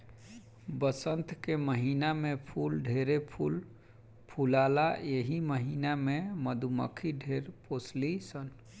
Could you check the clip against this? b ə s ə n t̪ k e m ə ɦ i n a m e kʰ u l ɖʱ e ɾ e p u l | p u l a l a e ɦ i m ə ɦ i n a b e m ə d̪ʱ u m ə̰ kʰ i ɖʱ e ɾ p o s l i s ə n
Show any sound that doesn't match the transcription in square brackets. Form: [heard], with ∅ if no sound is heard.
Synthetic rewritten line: b ə s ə n t̪ k e m ə ɦ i n a m e [pʰ] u l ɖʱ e ɾ e [pʰ] u l | [pʰ] u l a l a e ɦ i m ə ɦ i n a [m] e m ə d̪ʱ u m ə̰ kʰ i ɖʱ e ɾ p o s l i s ə n